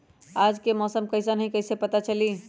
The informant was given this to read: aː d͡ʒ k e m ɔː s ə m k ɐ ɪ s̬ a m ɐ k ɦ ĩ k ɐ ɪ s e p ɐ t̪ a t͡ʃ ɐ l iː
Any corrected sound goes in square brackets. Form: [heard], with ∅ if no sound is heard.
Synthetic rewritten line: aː d͡ʒ k e m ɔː s ə m k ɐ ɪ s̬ a [n] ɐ [∅] ɦ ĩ k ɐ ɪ s e p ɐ t̪ a t͡ʃ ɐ l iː